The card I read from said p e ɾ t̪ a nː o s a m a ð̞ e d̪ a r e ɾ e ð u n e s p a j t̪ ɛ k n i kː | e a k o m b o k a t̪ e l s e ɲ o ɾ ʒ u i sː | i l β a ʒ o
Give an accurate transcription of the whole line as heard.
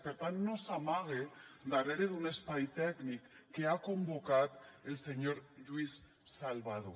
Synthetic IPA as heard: p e ɾ t̪ a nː o s a m a ɣ̞ e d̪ a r e ɾ e ð u n e s p a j t̪ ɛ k n i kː | e a k o m b o k a t̪ e l s e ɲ o ɾ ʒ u i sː | a l β a ð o